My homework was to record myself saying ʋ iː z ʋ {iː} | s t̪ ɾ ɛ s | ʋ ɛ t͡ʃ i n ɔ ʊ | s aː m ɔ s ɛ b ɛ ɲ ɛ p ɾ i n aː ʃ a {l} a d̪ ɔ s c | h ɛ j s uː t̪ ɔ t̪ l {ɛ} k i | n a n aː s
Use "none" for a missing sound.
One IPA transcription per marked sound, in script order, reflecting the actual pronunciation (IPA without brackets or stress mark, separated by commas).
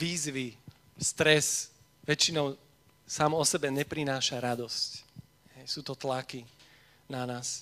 i, ɾ, a